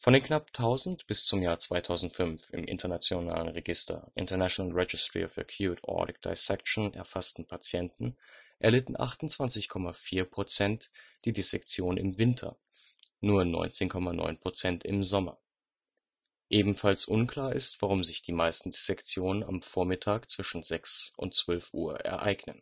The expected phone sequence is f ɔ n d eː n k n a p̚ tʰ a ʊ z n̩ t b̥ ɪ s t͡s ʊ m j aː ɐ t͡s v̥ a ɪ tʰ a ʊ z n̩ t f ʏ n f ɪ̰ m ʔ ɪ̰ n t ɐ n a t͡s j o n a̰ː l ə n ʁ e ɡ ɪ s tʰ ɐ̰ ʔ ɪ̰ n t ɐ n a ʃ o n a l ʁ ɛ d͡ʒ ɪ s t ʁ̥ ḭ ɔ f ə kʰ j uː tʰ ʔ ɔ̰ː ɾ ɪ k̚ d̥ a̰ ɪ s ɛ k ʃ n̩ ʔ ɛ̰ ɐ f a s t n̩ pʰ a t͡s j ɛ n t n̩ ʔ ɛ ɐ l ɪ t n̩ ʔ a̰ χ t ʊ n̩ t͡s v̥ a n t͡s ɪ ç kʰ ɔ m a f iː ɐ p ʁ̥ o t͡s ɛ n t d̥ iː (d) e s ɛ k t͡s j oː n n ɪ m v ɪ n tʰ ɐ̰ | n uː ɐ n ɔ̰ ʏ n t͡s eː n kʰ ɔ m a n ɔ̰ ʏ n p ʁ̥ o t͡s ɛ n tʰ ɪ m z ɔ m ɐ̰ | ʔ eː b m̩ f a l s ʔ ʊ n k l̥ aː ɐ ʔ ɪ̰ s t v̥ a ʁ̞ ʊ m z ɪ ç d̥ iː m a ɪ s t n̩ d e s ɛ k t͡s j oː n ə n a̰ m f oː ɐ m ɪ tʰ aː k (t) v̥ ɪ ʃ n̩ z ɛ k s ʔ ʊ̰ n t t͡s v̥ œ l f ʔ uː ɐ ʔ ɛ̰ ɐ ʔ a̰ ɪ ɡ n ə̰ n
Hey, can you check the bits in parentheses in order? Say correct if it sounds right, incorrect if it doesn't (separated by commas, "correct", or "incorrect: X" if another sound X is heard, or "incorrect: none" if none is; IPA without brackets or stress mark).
correct, incorrect: t͡s